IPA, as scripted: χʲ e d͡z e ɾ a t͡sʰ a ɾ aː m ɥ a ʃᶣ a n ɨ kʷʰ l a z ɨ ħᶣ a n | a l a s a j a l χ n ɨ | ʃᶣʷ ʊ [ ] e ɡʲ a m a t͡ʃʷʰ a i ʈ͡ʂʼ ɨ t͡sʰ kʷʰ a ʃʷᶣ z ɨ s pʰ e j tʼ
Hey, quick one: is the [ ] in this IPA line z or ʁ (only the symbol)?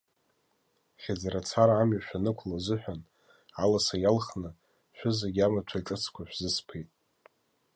z